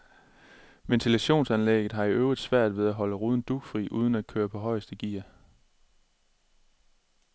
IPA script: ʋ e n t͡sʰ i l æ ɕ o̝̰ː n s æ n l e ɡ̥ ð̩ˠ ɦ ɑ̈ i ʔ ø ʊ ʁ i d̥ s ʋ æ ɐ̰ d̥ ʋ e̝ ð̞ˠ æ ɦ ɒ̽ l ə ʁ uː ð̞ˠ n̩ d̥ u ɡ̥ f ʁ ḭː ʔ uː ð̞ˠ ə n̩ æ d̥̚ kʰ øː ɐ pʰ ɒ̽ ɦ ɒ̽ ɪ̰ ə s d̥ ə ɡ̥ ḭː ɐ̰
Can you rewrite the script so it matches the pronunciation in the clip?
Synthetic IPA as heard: ʋ e n t͡sʰ i l æ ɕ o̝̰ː n s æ n l e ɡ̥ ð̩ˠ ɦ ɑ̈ i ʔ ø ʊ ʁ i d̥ s ʋ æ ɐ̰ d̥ ʋ e̝ ð̞ˠ æ ɦ ɒ̽ l ə ʁ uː ð̞ˠ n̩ d̥ u ɡ̥ f ʁ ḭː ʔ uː ð̞ˠ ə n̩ æ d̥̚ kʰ øː ɐ pʰ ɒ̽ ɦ ɒ̽ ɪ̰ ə s d̥ ə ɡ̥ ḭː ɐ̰